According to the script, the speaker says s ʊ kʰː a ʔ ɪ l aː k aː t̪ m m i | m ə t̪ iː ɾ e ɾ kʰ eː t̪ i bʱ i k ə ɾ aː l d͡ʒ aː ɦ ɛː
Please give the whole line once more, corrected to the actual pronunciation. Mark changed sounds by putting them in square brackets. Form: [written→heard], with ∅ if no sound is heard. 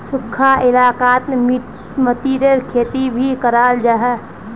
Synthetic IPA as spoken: s ʊ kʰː a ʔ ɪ l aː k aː t̪ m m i | m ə t̪ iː ɾ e ɾ kʰ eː t̪ i bʱ i k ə ɾ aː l d͡ʒ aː ɦ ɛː